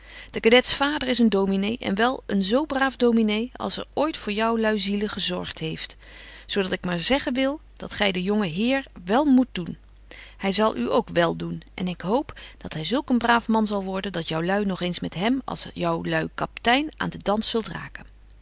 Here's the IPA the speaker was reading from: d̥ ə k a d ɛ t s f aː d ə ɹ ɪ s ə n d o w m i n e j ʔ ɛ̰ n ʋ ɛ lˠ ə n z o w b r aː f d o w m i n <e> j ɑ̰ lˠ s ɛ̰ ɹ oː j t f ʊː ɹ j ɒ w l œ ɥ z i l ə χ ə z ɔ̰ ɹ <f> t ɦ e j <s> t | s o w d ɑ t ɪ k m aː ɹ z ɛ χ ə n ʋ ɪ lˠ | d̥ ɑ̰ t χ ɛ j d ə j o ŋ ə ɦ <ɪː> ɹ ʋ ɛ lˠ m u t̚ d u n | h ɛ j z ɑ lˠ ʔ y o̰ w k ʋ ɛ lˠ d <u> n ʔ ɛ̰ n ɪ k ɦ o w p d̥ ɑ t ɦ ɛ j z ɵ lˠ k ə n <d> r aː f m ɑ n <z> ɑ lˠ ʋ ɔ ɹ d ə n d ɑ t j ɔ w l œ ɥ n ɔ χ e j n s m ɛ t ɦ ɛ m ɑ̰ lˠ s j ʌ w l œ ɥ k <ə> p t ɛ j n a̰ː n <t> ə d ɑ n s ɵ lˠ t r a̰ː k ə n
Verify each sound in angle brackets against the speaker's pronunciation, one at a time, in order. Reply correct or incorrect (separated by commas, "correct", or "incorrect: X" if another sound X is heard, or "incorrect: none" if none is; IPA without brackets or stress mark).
correct, incorrect: χ, incorrect: f, correct, correct, incorrect: b, correct, incorrect: ɑ, incorrect: d